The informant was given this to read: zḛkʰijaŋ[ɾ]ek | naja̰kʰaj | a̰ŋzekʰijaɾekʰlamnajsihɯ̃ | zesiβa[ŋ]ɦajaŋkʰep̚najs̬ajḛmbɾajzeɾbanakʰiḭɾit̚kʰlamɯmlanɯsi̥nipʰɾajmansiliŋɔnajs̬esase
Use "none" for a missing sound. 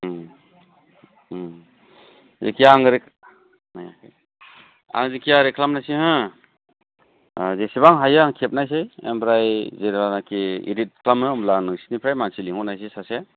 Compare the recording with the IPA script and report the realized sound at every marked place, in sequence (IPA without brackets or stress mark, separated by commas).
ɾ, ŋ